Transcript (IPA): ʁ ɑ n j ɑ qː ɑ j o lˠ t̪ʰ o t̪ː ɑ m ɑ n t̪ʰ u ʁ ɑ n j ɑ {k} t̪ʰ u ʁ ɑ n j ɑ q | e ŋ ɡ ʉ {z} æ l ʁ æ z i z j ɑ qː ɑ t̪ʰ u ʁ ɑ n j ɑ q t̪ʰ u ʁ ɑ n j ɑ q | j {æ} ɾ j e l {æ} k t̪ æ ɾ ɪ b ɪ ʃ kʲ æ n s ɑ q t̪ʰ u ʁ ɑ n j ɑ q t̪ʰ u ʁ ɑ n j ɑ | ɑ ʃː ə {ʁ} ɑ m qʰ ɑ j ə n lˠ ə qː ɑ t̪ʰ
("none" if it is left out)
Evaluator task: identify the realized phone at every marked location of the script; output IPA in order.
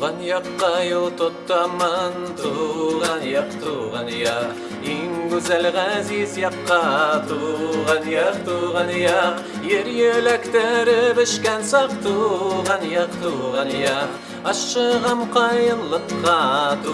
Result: q, z, e, æ, ʁ

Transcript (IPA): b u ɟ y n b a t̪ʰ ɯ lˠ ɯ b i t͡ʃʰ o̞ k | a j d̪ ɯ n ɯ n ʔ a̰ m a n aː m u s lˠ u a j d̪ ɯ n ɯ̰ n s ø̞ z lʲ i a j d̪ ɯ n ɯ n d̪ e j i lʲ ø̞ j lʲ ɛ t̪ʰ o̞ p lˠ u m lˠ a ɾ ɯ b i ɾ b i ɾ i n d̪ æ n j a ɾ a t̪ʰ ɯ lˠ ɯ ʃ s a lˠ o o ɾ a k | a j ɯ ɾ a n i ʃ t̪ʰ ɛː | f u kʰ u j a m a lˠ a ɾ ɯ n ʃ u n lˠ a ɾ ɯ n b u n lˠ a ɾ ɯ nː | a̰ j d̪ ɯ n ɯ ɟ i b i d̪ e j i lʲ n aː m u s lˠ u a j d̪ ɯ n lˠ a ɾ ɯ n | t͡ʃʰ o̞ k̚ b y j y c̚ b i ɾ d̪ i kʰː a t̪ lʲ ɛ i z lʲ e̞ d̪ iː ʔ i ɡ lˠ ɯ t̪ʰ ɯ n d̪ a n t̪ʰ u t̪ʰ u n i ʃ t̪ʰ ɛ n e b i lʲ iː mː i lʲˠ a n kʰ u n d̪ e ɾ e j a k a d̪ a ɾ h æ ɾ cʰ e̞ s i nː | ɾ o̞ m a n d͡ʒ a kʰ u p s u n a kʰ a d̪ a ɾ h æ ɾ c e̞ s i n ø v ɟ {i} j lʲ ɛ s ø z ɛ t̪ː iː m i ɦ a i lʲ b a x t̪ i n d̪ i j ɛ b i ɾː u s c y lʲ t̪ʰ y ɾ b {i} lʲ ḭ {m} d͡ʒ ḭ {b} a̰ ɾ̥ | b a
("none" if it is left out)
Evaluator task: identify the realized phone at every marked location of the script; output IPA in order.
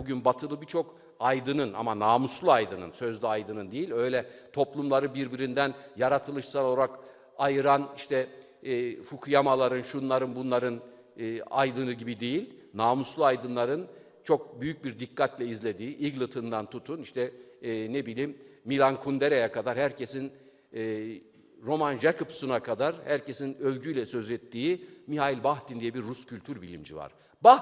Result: y, i, m, v

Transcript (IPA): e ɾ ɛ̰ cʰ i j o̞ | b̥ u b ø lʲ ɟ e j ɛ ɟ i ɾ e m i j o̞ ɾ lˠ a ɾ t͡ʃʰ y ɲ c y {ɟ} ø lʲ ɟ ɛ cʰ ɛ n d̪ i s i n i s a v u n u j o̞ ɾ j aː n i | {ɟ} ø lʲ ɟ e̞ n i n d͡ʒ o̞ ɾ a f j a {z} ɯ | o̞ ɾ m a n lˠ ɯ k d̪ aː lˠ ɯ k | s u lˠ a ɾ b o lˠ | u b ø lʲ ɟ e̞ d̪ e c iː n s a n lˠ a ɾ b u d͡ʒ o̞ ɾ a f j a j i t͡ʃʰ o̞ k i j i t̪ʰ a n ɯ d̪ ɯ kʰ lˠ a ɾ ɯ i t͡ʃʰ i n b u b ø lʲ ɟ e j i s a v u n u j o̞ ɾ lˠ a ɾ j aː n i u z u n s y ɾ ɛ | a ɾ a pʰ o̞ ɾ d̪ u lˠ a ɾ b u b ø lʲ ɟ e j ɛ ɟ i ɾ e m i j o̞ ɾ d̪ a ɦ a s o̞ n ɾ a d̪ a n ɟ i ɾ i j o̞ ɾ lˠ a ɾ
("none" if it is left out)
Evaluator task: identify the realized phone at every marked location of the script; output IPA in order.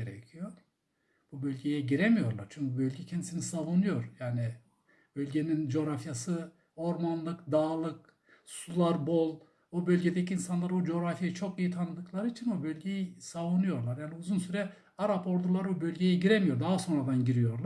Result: b, b, s

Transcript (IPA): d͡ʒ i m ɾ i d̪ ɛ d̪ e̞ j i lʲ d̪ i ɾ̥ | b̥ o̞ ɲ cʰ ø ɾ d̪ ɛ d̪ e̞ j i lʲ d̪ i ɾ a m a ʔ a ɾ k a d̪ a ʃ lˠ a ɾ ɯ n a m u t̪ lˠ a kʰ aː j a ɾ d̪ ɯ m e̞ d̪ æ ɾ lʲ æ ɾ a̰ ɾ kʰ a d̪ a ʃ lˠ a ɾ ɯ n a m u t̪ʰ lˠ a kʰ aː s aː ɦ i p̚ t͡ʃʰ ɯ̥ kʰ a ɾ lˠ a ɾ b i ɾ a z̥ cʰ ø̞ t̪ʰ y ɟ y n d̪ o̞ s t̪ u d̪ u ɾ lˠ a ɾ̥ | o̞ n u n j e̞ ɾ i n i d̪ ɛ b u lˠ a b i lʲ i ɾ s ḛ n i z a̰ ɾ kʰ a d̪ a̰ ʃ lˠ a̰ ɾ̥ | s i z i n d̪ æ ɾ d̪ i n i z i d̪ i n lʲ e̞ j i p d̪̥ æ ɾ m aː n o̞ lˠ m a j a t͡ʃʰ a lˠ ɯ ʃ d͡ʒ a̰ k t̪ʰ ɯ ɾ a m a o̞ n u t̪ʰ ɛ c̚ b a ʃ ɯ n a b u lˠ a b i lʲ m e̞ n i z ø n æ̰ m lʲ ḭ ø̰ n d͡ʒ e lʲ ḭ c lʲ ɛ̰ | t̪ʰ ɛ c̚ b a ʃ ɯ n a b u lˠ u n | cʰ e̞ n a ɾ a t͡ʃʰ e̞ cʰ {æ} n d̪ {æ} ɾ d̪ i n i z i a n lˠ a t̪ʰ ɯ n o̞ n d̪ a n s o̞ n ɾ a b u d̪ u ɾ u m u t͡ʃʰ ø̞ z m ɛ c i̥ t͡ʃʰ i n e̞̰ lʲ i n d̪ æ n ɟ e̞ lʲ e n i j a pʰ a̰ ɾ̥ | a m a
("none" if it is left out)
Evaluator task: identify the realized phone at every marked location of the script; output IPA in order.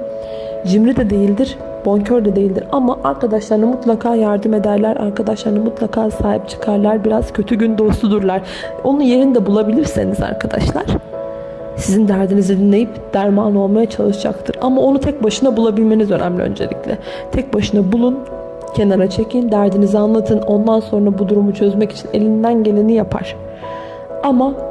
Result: i, æ

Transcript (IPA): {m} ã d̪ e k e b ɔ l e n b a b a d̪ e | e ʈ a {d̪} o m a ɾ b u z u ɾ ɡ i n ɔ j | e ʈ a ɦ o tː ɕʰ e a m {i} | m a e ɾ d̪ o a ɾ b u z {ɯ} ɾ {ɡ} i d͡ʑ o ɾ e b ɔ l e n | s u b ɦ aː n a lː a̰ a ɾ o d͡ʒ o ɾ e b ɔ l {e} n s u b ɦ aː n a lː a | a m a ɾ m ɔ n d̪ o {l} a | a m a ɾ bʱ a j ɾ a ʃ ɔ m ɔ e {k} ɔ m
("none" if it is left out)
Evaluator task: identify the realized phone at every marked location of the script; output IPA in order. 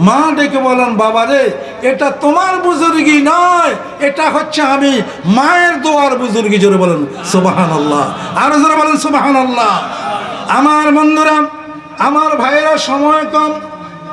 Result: m, t̪, i, u, ɡ, e, ɾ, k

